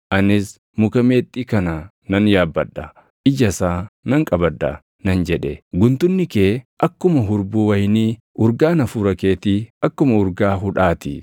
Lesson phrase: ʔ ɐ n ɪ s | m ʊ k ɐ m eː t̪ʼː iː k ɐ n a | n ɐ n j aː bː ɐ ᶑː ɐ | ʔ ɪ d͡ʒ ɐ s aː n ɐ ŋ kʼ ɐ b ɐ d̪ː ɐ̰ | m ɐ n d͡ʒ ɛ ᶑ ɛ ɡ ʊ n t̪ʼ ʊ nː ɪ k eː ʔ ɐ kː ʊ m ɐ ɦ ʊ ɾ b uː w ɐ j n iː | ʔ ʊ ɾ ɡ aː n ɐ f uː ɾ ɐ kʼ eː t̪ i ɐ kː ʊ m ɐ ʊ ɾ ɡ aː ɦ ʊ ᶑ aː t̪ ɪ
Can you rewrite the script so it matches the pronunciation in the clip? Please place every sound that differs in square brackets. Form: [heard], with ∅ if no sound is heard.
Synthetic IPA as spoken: ʔ ɐ n ɪ s | m ʊ k ɐ m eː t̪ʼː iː k ɐ n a | n ɐ n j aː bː ɐ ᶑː ɐ | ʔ ɪ d͡ʒ ɐ s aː n ɐ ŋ kʼ ɐ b ɐ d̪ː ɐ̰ | [n] ɐ n d͡ʒ ɛ ᶑ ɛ ɡ ʊ n [t̪] ʊ nː ɪ k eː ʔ ɐ kː ʊ m ɐ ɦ ʊ ɾ b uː w ɐ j n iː | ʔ ʊ ɾ ɡ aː n ɐ f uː ɾ ɐ [k] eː t̪ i ɐ kː ʊ m ɐ ʊ ɾ ɡ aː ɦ ʊ ᶑ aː t̪ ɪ